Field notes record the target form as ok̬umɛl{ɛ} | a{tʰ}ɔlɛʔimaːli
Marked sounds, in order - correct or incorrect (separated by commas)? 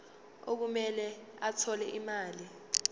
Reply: correct, correct